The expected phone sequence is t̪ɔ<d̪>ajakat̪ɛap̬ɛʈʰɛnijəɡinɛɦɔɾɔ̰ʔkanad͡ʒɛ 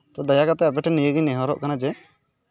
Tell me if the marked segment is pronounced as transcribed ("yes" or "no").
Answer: yes